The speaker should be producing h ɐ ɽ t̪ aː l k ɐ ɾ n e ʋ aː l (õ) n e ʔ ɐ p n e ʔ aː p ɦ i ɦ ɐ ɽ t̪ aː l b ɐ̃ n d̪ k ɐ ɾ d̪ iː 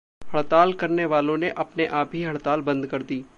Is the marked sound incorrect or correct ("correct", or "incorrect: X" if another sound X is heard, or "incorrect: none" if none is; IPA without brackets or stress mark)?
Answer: correct